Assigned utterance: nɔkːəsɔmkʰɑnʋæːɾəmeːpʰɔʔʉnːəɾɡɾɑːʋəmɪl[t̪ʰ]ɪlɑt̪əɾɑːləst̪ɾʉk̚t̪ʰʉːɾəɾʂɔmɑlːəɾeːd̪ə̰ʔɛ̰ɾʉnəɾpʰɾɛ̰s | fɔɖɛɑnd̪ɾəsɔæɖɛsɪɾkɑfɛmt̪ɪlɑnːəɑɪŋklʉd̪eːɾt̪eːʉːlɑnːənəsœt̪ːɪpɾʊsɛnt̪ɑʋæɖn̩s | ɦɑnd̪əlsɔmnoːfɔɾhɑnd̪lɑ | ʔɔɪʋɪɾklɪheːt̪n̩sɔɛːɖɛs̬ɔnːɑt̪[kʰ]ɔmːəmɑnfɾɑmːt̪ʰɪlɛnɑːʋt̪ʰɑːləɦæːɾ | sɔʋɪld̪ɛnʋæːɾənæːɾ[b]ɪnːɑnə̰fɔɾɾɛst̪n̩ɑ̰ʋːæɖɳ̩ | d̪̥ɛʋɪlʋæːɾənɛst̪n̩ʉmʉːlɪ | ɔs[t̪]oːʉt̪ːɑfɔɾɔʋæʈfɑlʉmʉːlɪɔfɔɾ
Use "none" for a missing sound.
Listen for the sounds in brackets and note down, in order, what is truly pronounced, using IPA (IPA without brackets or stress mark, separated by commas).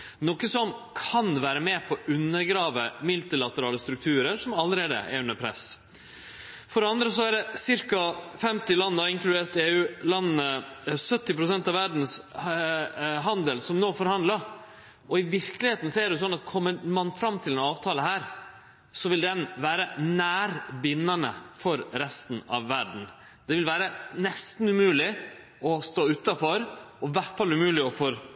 t̪, kʰ, b, t̪